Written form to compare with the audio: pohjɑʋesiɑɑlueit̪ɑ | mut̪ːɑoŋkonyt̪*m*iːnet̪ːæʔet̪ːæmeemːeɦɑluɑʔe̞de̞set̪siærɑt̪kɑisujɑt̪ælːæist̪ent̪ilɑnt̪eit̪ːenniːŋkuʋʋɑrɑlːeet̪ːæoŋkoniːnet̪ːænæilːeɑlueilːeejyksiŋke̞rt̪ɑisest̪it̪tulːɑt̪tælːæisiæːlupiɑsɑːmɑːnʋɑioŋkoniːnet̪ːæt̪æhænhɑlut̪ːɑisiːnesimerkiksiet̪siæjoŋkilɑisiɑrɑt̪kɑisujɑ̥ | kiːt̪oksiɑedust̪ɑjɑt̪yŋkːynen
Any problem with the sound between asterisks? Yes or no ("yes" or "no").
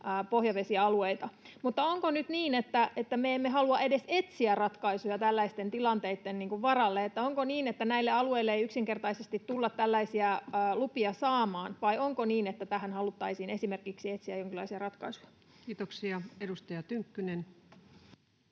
yes